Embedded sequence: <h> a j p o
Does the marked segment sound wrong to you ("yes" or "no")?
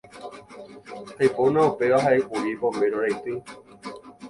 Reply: no